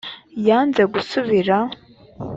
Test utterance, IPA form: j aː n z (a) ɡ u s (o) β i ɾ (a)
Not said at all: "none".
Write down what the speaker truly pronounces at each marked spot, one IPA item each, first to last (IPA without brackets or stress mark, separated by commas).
e, u, a